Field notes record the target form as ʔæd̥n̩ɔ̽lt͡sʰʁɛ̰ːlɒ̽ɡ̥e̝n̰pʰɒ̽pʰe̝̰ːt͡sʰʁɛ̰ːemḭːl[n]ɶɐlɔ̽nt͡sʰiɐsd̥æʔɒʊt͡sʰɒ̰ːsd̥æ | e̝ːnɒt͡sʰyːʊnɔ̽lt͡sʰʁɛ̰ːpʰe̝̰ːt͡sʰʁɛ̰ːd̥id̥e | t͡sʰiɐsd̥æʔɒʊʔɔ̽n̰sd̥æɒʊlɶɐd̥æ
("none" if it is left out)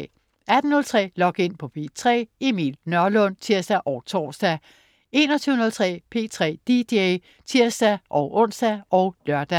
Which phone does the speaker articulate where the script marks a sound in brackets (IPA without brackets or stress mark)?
n